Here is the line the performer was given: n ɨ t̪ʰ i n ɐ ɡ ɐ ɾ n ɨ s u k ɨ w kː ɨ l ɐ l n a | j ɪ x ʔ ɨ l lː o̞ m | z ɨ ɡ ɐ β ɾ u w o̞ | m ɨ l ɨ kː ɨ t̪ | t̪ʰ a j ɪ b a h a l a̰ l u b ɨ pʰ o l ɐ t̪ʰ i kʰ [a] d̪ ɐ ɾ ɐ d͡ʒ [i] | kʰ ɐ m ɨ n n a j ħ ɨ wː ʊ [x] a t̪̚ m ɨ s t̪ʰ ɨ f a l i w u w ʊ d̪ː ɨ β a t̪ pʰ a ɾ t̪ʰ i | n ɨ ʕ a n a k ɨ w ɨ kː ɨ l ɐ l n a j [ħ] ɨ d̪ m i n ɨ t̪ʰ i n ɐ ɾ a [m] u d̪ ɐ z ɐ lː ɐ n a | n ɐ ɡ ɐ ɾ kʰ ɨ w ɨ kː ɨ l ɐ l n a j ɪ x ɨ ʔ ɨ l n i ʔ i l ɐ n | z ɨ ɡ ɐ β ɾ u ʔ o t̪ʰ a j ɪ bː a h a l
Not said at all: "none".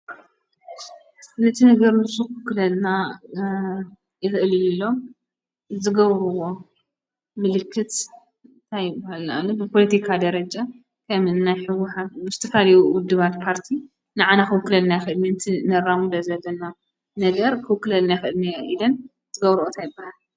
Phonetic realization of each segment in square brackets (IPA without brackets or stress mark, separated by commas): a, a, ħ, x, m